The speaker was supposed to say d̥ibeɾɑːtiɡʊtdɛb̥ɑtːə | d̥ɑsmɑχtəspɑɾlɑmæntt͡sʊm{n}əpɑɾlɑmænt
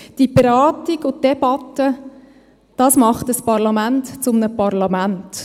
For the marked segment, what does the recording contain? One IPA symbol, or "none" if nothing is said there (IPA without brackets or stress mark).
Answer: n